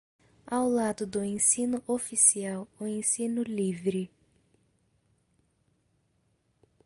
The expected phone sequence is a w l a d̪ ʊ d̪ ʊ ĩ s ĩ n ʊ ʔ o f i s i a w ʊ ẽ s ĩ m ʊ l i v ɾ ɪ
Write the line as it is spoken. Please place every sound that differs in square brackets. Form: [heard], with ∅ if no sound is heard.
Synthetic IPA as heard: a w l a d̪ ʊ d̪ ʊ [ẽ] s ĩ n ʊ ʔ o f i s i a w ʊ ẽ s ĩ [n] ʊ l i v ɾ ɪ